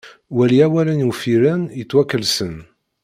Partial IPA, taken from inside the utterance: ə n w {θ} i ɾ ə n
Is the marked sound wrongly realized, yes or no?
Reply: yes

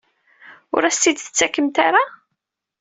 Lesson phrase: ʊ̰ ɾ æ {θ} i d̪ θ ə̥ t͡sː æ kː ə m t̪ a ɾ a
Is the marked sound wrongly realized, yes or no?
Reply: yes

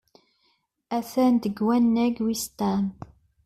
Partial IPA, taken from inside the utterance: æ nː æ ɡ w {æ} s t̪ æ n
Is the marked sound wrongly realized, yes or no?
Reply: yes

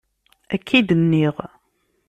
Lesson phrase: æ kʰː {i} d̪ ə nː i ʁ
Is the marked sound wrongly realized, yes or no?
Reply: no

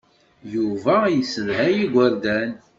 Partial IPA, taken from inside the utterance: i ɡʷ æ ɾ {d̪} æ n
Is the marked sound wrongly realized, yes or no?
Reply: no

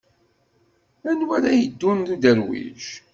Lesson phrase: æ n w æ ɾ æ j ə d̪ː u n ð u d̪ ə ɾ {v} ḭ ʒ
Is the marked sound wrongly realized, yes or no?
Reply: yes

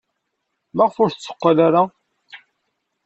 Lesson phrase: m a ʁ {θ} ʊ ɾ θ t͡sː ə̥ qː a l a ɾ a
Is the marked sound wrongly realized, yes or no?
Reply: yes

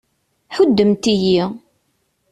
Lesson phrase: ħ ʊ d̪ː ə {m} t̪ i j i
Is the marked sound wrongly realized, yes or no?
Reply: no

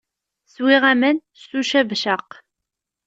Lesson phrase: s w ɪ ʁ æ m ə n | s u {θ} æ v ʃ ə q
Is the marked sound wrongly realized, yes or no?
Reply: yes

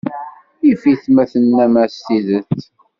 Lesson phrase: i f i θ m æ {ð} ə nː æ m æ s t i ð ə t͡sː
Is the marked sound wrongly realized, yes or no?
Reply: yes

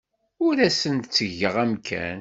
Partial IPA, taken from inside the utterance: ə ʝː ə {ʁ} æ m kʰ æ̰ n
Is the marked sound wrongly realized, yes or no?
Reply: no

